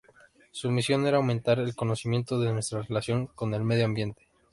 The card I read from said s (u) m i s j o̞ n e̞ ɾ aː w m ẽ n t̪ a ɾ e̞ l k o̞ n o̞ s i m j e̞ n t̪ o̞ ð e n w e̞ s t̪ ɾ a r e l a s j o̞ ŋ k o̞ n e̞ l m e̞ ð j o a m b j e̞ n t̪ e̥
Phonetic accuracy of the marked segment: correct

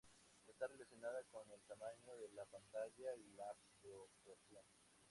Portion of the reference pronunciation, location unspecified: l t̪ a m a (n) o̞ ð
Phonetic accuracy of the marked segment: incorrect: ɲ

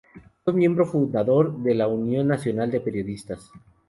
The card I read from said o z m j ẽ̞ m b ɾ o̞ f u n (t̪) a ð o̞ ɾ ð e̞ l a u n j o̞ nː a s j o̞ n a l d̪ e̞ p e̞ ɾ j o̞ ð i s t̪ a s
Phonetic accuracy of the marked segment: incorrect: d̪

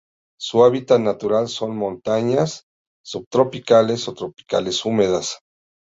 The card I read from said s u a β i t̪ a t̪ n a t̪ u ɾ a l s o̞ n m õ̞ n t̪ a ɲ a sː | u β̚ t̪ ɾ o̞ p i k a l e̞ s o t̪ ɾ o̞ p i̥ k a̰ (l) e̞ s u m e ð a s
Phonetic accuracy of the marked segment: correct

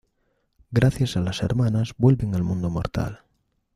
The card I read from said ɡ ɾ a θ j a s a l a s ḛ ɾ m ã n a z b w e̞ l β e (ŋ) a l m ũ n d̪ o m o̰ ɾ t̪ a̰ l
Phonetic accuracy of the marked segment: correct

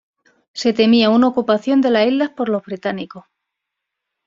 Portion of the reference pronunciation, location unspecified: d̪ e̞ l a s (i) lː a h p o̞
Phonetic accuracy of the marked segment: correct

